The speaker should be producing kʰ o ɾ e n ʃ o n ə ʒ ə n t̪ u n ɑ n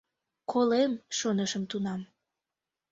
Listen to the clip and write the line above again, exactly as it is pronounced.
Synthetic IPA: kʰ o l e m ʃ o n ə ʃ ə m t̪ u n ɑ m